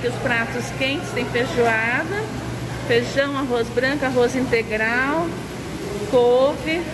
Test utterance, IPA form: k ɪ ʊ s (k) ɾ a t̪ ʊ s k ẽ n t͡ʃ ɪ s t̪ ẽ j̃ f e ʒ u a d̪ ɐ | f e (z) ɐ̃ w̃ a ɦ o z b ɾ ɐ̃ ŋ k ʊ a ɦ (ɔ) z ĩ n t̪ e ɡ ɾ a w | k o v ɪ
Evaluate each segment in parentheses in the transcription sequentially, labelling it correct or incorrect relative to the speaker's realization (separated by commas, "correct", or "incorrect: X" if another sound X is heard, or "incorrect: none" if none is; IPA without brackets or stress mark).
incorrect: p, incorrect: ʒ, incorrect: o